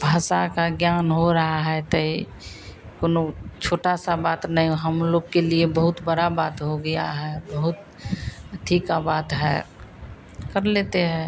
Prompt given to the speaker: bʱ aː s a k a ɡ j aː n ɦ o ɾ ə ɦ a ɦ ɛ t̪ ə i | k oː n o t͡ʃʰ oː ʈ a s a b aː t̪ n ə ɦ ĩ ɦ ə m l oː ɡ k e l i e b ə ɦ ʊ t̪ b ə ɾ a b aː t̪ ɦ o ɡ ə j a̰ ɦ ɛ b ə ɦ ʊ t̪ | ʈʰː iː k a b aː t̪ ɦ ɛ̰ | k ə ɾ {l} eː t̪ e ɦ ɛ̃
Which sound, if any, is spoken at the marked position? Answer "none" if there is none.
l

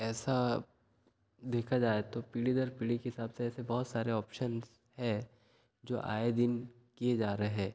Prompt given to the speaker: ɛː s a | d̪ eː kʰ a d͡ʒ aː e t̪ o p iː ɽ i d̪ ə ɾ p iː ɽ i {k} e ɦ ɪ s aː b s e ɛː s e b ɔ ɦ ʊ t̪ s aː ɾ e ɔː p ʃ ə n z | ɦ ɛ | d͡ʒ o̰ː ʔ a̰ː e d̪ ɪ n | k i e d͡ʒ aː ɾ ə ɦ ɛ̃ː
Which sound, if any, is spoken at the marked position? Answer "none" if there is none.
k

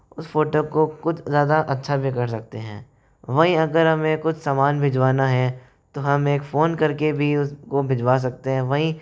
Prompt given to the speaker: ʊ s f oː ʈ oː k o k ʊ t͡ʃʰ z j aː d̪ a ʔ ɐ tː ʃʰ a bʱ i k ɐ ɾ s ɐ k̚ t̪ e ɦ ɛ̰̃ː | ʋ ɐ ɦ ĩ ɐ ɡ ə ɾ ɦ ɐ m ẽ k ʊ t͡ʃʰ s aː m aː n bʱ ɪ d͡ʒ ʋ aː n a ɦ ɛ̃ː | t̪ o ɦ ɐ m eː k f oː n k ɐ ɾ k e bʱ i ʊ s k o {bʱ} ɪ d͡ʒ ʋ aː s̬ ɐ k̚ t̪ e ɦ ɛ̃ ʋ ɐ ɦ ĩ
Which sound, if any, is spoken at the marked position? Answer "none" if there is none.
bʱ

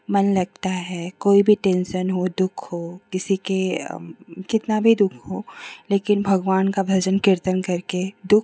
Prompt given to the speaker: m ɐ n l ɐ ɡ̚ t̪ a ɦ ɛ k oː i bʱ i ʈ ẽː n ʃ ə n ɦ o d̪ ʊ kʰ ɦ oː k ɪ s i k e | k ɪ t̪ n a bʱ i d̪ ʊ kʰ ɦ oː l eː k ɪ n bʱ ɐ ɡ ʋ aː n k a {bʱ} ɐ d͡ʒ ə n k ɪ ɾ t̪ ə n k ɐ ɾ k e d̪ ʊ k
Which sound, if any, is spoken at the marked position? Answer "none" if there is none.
bʱ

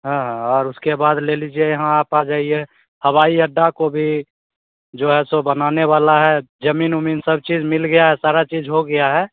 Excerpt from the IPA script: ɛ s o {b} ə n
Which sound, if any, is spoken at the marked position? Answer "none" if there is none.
b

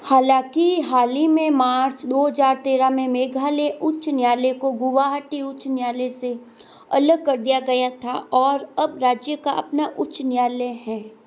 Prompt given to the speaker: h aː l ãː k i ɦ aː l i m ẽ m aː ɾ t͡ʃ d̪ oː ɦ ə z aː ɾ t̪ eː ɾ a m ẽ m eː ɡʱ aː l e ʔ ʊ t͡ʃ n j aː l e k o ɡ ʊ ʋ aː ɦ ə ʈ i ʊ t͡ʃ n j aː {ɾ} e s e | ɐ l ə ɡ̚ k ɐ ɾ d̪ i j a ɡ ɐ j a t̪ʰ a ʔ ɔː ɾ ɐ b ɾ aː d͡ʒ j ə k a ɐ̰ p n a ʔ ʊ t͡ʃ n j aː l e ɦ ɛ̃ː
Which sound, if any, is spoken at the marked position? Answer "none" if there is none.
l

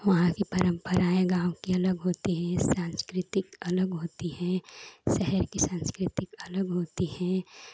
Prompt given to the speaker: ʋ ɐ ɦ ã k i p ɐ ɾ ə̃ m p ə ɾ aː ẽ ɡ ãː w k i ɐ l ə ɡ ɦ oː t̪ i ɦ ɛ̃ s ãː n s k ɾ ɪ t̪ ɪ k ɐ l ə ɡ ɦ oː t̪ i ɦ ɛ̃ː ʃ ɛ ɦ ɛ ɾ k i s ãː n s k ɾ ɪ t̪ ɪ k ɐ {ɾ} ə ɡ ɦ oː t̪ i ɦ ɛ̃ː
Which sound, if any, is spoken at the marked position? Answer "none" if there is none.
l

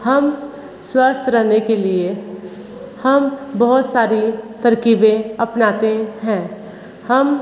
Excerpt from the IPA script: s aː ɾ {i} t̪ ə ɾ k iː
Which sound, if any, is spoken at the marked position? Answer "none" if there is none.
i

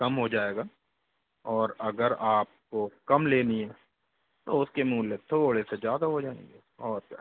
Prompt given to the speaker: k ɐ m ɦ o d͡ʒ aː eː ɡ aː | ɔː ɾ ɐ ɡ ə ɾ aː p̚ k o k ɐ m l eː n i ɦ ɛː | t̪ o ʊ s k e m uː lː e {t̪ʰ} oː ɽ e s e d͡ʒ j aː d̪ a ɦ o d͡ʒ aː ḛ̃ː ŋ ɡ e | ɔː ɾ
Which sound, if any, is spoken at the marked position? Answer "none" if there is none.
t̪ʰ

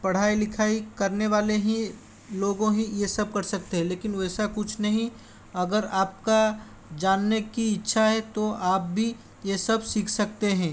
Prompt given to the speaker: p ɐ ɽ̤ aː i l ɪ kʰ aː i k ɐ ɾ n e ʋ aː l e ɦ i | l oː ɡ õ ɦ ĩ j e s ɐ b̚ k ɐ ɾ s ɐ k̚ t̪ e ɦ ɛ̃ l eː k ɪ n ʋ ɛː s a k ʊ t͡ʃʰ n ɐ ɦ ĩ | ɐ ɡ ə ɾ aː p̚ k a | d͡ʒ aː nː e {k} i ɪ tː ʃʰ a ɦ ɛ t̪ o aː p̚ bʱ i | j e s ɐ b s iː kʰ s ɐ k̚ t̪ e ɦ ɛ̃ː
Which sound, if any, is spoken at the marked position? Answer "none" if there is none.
k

